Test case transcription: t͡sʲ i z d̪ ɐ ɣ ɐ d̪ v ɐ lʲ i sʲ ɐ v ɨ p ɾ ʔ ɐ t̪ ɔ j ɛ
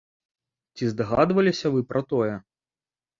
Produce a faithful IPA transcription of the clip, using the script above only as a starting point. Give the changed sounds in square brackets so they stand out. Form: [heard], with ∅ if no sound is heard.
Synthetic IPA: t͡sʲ i z d̪ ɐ ɣ [a] d̪ v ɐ lʲ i sʲ ɐ v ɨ p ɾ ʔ ɐ t̪ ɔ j ɛ